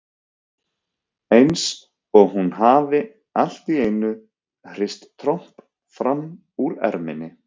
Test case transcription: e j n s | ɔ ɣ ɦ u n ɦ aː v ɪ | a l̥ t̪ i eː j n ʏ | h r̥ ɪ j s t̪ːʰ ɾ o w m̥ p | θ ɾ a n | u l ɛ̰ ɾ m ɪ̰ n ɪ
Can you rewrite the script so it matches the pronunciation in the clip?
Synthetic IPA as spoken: e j n s | ɔ ɣ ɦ u n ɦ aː v ɪ | a l̥ t̪ i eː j n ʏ | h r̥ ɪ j s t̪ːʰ ɾ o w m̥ p | f ɾ a m | u ɾ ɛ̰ ɾ m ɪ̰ n ɪ